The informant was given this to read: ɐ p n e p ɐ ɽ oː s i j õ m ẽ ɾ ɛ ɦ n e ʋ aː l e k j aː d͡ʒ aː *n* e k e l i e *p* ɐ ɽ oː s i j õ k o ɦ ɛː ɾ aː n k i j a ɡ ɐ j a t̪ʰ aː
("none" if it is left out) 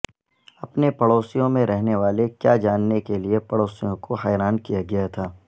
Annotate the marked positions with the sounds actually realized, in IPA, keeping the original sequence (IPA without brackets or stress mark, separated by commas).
nː, p